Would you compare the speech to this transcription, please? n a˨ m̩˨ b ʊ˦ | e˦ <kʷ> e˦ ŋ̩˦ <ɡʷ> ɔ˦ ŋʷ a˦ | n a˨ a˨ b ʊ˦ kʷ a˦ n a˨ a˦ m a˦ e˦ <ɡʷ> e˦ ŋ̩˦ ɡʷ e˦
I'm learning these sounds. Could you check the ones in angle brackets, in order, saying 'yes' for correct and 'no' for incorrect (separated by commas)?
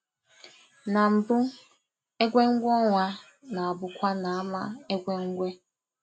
no, yes, yes